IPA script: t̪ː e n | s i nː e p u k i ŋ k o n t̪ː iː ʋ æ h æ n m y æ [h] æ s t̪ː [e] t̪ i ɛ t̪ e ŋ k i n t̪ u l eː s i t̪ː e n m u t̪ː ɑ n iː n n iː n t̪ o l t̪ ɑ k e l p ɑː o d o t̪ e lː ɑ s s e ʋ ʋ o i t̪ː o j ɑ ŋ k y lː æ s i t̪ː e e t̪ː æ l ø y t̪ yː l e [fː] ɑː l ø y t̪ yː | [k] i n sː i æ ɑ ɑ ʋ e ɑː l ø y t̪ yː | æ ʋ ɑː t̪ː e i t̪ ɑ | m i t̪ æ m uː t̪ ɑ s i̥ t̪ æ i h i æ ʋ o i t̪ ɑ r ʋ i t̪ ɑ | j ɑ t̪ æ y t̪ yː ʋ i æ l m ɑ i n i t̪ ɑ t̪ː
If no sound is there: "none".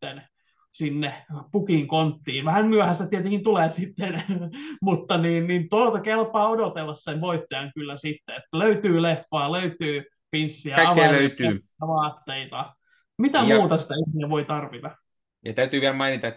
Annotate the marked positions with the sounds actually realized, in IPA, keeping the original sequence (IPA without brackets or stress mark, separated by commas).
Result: h, æ, fː, p